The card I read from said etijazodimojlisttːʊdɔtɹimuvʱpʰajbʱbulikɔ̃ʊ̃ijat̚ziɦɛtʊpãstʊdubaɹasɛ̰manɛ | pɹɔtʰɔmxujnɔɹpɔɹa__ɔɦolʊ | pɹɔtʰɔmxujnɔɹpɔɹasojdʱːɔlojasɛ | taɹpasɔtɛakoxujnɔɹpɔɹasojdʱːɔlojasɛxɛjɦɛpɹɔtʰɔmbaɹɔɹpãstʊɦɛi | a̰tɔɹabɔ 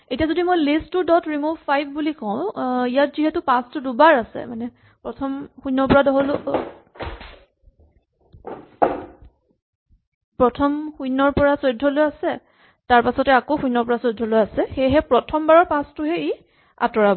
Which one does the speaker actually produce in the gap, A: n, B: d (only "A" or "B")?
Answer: B